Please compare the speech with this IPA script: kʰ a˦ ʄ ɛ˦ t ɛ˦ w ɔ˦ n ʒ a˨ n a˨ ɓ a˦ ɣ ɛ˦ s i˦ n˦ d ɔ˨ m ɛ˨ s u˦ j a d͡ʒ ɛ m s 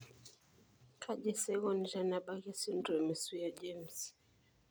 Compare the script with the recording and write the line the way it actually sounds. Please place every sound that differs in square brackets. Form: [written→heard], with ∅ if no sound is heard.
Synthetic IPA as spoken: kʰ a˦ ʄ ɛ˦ [t→s] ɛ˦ [w→ɣ] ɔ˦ n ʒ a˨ n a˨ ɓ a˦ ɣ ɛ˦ s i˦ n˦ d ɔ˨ m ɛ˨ s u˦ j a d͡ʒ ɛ m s